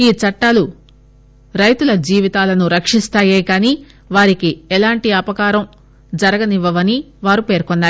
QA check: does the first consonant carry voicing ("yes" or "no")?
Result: no